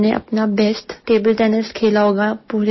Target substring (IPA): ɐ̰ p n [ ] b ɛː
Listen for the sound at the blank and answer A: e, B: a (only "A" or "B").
B